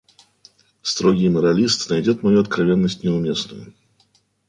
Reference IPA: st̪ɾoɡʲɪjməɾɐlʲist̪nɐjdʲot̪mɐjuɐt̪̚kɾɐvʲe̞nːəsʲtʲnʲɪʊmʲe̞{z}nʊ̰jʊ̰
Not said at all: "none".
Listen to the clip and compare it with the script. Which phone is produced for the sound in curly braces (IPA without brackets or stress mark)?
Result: s